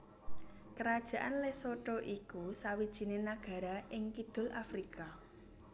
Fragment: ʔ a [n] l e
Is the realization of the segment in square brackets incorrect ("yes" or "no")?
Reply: no